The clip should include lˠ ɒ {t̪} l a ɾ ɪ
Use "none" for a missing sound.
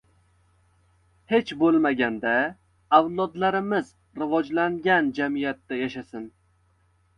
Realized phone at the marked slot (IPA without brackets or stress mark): d̪